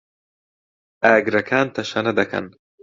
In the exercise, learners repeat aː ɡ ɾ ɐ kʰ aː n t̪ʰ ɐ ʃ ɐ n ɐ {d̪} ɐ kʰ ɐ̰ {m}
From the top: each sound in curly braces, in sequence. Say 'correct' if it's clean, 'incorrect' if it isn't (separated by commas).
correct, incorrect